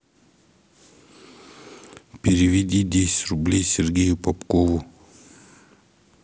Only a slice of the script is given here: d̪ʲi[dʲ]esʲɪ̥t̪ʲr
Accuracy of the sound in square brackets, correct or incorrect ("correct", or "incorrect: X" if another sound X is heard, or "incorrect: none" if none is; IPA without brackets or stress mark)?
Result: correct